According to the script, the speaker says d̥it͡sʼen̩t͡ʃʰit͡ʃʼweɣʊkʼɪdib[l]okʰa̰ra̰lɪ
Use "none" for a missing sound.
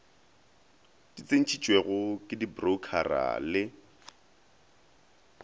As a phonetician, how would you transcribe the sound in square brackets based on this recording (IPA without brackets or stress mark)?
r